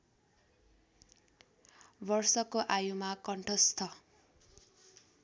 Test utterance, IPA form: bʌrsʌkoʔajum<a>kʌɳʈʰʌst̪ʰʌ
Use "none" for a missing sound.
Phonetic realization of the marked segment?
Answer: a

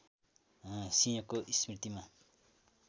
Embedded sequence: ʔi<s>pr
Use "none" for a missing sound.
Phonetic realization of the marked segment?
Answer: s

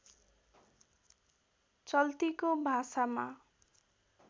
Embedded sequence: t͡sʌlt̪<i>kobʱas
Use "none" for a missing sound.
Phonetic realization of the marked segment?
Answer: i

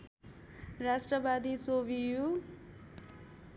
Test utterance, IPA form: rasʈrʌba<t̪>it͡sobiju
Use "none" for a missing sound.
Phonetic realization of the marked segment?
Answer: d̪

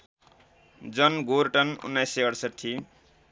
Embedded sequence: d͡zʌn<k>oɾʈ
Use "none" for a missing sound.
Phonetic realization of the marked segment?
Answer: ɡ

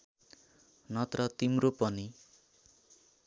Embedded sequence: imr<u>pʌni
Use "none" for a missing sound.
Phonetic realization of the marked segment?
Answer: o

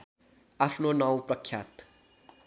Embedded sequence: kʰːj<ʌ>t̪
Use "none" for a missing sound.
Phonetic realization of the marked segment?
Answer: a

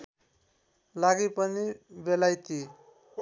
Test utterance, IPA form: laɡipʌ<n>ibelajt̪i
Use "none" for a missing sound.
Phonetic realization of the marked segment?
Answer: n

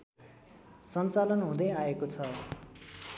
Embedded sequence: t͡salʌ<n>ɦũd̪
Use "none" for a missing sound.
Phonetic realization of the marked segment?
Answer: n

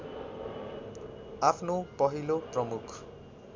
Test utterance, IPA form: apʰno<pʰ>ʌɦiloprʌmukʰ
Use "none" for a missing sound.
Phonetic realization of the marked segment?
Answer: p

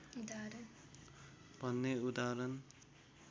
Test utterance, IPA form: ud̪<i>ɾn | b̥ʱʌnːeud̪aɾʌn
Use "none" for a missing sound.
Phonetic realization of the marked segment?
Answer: a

